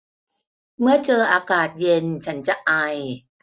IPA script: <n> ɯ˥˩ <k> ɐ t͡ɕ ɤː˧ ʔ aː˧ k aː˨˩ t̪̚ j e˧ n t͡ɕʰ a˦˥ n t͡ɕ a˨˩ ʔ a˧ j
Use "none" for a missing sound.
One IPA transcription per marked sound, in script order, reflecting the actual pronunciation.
m, none

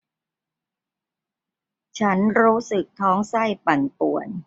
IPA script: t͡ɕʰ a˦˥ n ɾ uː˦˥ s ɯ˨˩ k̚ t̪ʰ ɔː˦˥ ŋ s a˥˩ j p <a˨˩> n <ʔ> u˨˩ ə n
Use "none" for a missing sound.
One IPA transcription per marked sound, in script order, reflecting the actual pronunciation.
a˨˩, p

